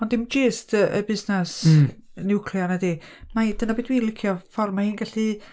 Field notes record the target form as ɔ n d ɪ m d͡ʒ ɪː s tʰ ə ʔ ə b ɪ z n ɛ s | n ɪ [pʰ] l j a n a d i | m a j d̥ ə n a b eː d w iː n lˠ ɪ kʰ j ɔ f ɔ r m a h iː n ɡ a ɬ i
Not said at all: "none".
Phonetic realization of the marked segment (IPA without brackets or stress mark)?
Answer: kʰ